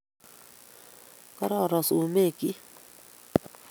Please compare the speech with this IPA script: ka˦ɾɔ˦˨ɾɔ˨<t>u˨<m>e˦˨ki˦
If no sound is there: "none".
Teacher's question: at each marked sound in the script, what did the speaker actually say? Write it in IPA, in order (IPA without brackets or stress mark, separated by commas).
s, m